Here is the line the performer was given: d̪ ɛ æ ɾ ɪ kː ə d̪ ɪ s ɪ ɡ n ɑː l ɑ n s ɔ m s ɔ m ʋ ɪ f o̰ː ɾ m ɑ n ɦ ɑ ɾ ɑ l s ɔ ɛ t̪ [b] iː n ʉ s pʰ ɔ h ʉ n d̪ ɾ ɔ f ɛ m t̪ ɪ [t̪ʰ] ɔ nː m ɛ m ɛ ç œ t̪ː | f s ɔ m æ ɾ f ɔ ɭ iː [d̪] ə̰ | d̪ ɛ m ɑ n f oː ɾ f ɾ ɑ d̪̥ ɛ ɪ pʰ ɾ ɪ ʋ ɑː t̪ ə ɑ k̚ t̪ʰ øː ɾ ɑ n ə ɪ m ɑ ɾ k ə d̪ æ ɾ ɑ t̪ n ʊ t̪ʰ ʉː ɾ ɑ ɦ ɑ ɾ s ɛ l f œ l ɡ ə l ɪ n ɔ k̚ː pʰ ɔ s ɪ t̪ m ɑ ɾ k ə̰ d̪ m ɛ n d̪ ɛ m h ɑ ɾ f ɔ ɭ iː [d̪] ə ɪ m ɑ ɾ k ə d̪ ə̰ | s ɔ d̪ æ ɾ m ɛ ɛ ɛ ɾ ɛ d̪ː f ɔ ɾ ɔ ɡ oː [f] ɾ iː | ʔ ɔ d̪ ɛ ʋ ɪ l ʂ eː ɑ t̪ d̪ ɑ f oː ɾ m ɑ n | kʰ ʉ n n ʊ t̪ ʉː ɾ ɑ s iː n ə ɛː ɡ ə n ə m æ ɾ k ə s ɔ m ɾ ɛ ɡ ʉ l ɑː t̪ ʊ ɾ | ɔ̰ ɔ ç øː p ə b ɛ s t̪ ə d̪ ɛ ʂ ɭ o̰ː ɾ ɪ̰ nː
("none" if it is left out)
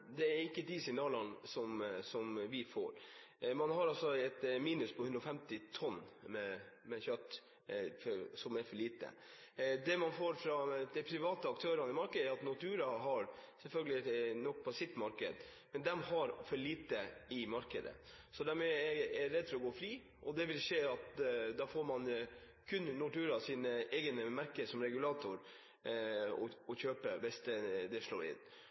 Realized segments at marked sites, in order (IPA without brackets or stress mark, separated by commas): m, t̪ʰ, t̪, t̪, f